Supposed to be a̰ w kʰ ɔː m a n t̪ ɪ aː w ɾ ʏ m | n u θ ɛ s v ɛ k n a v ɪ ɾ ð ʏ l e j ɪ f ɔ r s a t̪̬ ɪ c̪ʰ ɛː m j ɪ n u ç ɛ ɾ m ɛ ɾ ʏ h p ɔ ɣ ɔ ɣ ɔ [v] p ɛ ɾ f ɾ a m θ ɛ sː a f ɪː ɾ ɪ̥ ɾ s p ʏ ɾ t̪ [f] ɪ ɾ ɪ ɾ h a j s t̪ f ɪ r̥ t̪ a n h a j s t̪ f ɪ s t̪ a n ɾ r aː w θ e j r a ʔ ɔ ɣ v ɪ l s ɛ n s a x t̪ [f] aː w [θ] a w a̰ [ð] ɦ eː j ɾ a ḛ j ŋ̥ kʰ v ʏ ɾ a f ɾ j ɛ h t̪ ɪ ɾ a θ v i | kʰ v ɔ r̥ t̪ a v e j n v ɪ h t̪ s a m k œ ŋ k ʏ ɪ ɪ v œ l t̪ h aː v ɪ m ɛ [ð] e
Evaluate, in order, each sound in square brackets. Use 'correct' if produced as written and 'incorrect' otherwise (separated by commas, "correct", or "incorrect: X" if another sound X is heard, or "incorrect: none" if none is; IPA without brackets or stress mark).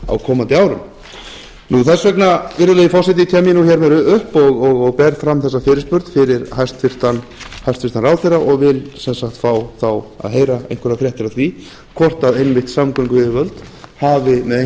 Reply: incorrect: ɣ, correct, correct, correct, correct, correct